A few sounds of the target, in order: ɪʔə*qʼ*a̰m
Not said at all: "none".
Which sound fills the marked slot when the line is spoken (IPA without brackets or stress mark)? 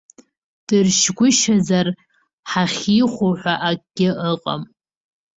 qʼ